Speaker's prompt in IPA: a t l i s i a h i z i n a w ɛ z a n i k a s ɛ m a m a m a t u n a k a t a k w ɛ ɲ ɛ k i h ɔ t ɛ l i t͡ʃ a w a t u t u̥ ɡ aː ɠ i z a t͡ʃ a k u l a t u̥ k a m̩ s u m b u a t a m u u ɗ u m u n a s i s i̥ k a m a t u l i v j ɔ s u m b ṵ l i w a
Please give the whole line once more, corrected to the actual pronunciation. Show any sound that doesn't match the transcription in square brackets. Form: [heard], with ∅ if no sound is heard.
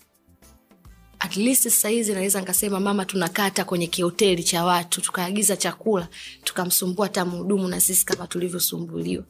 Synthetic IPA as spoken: a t l i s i a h i z i n a w ɛ z a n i k a s ɛ m a m a m a t u n a k a t a k w ɛ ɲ ɛ k i h ɔ t ɛ l i t͡ʃ a w a t u t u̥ [k] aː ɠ i z a t͡ʃ a k u l a t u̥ k a m̩ s u m b u a t a m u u ɗ u m u n a s i s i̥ k a m a t u l i v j ɔ s u m b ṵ l i w a